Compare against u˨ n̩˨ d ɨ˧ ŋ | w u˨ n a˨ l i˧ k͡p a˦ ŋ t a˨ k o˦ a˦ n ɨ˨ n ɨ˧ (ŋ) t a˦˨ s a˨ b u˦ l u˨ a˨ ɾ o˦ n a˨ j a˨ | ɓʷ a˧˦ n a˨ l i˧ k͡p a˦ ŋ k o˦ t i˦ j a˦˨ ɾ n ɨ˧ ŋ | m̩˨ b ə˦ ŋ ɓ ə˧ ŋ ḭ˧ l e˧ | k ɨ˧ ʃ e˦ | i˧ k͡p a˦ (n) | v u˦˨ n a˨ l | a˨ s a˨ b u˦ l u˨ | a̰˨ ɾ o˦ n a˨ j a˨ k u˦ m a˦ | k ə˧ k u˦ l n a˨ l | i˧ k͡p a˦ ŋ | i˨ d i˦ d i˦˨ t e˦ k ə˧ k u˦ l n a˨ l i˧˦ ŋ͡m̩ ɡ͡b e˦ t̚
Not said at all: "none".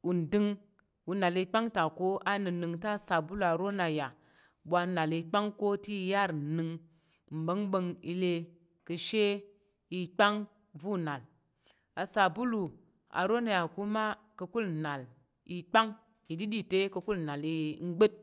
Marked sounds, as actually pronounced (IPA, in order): ŋ, ŋ

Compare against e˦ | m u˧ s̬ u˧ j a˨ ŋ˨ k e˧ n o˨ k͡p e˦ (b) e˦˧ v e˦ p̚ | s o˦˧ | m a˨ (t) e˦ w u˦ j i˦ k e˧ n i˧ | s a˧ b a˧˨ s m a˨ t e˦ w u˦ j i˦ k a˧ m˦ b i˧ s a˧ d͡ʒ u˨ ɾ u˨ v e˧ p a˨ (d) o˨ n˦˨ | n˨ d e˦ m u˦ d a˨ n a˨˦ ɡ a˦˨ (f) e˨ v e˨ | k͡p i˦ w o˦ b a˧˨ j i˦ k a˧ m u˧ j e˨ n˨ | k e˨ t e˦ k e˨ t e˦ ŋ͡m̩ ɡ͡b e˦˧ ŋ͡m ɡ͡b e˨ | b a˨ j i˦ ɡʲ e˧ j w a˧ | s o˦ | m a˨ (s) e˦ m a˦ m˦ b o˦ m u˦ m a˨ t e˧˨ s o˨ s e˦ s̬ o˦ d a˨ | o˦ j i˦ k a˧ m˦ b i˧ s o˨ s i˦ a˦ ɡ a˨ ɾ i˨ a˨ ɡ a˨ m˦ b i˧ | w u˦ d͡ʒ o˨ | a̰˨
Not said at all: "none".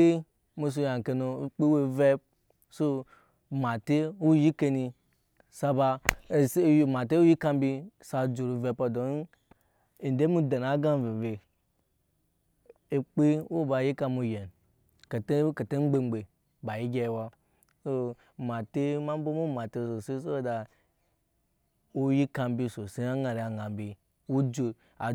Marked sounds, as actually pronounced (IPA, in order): w, t, d, v, t

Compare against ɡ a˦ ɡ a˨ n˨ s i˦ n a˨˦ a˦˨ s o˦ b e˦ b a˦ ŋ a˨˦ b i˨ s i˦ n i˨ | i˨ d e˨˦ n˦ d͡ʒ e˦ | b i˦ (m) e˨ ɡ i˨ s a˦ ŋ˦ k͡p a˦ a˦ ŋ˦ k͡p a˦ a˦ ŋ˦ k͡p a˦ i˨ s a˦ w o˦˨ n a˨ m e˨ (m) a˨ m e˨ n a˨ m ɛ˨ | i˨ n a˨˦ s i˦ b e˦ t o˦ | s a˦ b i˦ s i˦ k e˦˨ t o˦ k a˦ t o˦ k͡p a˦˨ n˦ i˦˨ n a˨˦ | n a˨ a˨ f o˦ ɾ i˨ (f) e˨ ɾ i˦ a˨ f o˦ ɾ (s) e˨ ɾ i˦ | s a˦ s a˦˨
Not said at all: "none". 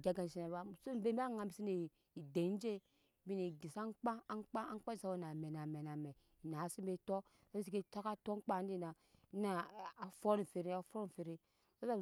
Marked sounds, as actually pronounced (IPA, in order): n, n, f, f

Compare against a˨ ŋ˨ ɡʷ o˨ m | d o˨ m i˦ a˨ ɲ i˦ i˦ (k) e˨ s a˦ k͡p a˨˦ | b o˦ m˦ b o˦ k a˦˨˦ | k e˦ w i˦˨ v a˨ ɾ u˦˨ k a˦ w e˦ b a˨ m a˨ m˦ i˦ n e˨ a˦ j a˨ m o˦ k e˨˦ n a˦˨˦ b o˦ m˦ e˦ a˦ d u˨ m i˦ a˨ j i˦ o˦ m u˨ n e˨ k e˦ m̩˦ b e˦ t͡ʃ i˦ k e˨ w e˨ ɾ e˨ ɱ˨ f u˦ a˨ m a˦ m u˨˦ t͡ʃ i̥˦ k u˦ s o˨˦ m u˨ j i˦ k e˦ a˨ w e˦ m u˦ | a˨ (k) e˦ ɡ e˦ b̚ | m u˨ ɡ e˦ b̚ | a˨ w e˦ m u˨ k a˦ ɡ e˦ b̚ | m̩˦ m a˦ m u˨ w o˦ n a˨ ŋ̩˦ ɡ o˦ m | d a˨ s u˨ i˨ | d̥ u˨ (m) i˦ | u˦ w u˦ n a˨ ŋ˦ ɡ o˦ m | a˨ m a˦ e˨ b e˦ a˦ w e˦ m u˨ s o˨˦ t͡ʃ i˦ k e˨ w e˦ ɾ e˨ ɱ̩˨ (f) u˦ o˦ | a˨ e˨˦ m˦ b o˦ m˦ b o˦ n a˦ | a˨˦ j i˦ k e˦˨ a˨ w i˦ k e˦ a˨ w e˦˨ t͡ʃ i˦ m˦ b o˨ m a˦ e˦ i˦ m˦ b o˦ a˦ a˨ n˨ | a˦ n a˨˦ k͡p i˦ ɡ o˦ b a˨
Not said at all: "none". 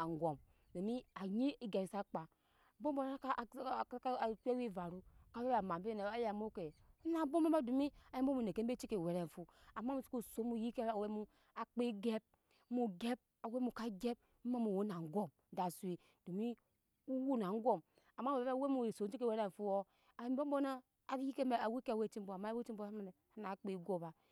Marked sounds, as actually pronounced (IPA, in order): ɡ, k͡p, m, f

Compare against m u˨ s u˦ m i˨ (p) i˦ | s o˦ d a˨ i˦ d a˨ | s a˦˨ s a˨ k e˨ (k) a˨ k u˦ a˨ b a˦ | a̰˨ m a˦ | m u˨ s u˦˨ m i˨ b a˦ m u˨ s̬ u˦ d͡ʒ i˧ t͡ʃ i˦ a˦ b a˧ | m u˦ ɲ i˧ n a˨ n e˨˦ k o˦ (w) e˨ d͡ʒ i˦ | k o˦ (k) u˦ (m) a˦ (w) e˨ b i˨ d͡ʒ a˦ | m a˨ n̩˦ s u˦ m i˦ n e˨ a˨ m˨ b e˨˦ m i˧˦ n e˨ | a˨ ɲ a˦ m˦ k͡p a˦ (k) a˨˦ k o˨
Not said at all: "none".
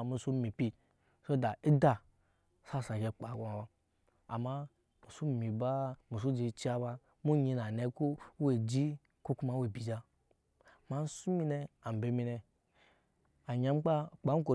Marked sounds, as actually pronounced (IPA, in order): p, k͡p, w, k, m, w, k͡p

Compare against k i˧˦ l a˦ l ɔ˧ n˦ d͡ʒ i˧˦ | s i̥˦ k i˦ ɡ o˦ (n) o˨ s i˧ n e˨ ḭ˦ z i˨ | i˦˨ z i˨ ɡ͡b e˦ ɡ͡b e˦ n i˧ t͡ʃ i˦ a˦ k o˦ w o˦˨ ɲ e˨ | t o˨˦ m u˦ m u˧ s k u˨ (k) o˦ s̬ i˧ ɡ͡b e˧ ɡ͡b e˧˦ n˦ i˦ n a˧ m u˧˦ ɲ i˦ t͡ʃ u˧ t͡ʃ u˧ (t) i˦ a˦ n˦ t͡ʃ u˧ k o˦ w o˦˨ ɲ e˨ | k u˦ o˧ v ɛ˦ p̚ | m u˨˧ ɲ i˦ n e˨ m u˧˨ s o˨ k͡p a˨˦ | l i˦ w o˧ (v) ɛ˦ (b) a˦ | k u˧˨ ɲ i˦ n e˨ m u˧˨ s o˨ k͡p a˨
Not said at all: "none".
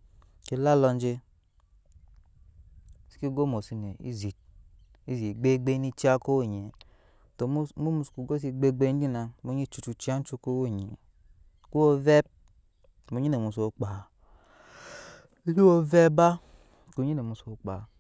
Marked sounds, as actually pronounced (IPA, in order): m, ɡ, t͡ʃ, v, b

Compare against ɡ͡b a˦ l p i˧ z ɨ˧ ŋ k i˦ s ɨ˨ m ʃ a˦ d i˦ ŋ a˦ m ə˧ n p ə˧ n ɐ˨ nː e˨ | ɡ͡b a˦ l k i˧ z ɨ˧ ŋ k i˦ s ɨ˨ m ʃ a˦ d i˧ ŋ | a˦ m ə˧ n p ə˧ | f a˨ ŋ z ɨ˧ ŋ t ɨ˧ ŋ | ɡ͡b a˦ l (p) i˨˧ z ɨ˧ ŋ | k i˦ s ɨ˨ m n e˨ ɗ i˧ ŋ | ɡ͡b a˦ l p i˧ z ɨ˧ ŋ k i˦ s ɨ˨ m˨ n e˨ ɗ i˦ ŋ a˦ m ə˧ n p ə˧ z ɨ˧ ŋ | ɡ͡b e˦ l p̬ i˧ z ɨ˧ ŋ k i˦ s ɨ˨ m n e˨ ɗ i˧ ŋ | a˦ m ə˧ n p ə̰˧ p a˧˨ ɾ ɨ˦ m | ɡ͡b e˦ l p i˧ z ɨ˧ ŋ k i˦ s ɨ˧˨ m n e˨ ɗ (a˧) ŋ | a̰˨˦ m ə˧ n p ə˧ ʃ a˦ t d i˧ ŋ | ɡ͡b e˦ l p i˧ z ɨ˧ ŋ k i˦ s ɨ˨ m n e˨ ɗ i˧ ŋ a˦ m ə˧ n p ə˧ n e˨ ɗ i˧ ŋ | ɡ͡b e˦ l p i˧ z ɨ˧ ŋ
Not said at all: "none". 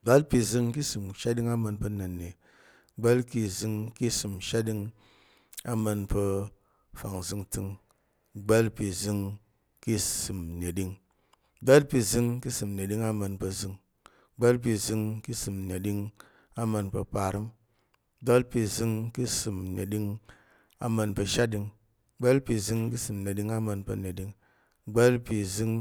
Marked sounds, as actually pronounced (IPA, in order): p, i˧

